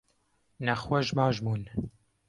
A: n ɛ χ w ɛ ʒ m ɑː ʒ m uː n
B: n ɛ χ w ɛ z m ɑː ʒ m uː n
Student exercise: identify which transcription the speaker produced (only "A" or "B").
A